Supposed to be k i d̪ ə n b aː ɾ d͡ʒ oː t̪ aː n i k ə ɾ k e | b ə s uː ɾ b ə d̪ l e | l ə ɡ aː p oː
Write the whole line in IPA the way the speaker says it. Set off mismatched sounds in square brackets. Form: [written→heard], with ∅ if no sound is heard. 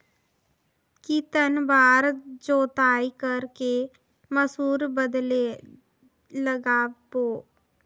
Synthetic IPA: k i [d̪→t̪] ə n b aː ɾ d͡ʒ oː t̪ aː [n→∅] i k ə ɾ k e | [b→m] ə s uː ɾ b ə d̪ l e | l ə ɡ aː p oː

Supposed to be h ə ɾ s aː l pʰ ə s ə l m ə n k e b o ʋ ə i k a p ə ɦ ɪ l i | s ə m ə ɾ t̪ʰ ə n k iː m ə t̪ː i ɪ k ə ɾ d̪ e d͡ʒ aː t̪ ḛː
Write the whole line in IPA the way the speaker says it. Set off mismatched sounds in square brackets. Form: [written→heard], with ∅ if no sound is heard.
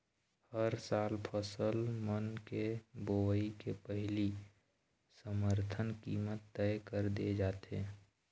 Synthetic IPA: h ə ɾ s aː l pʰ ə s ə l m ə n k e b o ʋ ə i k [a→e] p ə ɦ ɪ l i | s ə m ə ɾ t̪ʰ ə n k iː m ə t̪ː [i→ɛ] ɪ k ə ɾ d̪ e d͡ʒ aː t̪ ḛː

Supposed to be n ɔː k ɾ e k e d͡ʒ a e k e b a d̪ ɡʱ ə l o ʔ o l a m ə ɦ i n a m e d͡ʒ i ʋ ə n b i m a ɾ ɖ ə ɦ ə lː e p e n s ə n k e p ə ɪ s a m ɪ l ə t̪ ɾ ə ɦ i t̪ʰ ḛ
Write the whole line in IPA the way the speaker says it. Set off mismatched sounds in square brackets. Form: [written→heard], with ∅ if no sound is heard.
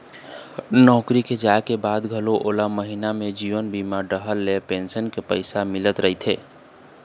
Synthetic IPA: n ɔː k ɾ [e→i] k e d͡ʒ a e k e b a d̪ ɡʱ ə l o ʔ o l a m ə ɦ i n a m e d͡ʒ i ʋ ə n b i m a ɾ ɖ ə ɦ ə lː e p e n s ə n k e p ə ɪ s a m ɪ l ə t̪ ɾ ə ɦ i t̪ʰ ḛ

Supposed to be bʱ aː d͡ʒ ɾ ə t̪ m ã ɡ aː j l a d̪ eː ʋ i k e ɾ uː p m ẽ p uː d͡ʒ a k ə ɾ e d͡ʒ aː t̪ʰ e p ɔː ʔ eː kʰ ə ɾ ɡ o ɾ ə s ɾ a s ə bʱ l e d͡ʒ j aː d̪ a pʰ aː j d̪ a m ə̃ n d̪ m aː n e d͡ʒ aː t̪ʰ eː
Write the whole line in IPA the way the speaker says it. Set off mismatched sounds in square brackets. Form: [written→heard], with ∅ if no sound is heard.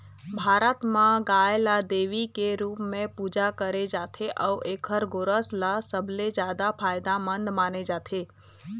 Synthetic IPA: bʱ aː [d͡ʒ→∅] ɾ ə t̪ m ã ɡ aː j l a d̪ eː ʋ i k e ɾ uː p m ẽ p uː d͡ʒ a k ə ɾ e d͡ʒ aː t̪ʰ e [p→ʔ] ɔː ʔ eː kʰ ə ɾ ɡ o ɾ ə s [ɾ→l] a s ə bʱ l e d͡ʒ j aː d̪ a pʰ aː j d̪ a m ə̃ n d̪ m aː n e d͡ʒ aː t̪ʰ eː

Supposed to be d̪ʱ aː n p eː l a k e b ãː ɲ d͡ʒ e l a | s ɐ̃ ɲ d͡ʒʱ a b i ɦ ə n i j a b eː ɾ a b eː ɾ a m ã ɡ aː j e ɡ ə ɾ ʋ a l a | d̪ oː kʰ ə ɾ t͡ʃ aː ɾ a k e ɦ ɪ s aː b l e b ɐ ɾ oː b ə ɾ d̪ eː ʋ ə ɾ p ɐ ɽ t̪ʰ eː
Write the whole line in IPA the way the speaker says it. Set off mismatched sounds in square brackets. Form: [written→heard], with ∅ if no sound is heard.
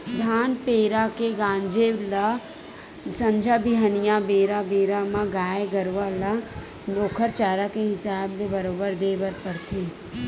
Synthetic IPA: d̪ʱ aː n p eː [l→ɾ] a k e [b→ɡ] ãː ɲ d͡ʒ e l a | s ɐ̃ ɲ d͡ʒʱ a b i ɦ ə n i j a b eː ɾ a b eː ɾ a m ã ɡ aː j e ɡ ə ɾ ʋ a l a | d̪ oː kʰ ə ɾ t͡ʃ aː ɾ a k e ɦ ɪ s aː b l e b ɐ ɾ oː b ə ɾ d̪ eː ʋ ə ɾ p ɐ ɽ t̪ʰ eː

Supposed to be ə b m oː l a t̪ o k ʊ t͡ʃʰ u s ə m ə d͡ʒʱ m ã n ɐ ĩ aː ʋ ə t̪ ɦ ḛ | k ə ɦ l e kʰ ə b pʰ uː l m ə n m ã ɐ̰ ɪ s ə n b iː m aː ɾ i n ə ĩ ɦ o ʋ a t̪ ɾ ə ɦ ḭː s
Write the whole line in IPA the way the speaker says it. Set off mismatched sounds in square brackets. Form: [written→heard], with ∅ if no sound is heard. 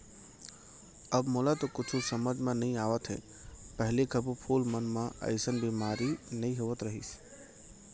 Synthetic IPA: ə b m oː l a t̪ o k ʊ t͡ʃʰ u s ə m ə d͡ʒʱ m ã n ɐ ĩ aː ʋ ə t̪ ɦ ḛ | [k→p] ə ɦ l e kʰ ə b pʰ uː l m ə n m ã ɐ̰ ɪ s ə n b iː m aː ɾ i n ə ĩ ɦ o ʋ [a→ə] t̪ ɾ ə ɦ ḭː s

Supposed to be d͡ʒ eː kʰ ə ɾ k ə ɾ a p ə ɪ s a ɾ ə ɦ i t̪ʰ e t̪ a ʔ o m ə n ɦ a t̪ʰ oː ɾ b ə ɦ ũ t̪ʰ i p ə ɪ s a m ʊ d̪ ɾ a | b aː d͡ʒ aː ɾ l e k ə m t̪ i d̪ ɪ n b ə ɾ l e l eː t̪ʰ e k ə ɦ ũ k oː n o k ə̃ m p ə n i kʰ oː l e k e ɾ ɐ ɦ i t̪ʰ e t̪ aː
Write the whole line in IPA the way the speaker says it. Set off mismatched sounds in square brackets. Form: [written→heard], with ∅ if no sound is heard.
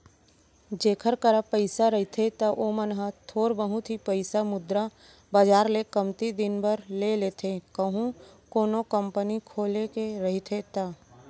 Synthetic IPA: d͡ʒ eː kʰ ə ɾ k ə ɾ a p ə ɪ s a ɾ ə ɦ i t̪ʰ e t̪ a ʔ o m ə n ɦ a t̪ʰ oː ɾ b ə ɦ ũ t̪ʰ i p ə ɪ s a m ʊ d̪ ɾ a | b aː d͡ʒ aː ɾ l e k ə m t̪ i d̪ ɪ n b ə ɾ l e l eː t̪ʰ e k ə ɦ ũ k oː n o k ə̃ m p ə n i kʰ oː l e k e ɾ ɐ ɦ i t̪ʰ e t̪ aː

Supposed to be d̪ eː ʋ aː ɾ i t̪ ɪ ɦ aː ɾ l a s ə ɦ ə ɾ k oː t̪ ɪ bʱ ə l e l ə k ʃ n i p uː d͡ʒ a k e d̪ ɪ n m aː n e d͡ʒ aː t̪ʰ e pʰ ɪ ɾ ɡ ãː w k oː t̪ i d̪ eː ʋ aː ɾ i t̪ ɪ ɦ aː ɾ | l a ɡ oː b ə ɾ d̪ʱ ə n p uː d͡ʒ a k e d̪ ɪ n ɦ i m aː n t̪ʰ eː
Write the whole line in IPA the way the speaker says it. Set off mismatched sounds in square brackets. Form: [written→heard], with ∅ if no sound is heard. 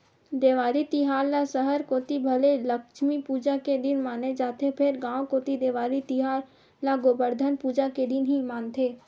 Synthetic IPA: d̪ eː ʋ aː ɾ i t̪ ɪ ɦ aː ɾ l a s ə ɦ ə ɾ k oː t̪ [ɪ→i] bʱ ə l e l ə k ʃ [n→m] i p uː d͡ʒ a k e d̪ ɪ n m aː n e d͡ʒ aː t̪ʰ e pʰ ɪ ɾ ɡ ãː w k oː t̪ i d̪ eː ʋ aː ɾ i t̪ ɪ ɦ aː ɾ | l a ɡ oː b ə ɾ d̪ʱ ə n p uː d͡ʒ a k e d̪ ɪ n ɦ i m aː n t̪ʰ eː

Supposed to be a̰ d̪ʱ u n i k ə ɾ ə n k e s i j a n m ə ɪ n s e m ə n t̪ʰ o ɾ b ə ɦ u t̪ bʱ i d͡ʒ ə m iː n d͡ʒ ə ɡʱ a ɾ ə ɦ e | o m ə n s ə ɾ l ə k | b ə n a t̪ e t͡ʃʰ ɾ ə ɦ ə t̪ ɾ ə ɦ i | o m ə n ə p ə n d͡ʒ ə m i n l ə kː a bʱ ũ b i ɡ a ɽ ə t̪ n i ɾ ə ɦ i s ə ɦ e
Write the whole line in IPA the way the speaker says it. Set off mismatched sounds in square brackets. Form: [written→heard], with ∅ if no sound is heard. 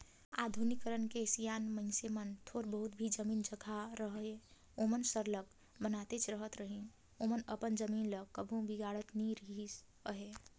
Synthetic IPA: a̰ d̪ʱ u n i k ə ɾ ə n k e s i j a n m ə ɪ n s e m ə n t̪ʰ o ɾ b ə ɦ u t̪ bʱ i d͡ʒ ə m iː n d͡ʒ ə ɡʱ a ɾ ə ɦ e | o m ə n s ə ɾ l ə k | b ə n a t̪ e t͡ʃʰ ɾ ə ɦ ə t̪ ɾ ə ɦ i | o m ə n ə p ə n d͡ʒ ə m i n l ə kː [a→ə] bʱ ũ b i ɡ a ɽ ə t̪ n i ɾ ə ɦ i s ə ɦ e

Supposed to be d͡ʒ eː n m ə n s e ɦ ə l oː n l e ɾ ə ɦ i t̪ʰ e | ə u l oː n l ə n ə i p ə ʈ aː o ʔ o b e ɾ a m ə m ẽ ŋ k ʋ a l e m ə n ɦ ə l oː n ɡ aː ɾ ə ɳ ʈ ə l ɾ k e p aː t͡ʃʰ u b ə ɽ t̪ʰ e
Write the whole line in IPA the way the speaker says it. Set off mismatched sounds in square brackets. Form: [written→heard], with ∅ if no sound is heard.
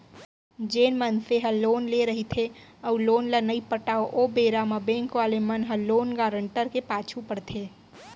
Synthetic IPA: d͡ʒ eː n m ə n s e ɦ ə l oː n l e ɾ ə ɦ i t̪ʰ e | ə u l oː n l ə n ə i p ə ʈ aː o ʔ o b e ɾ a m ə [m→b] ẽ ŋ k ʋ a l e m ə n ɦ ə l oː n ɡ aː ɾ ə ɳ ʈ ə [l→∅] ɾ k e p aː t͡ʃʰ u [b→p] ə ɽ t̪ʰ e

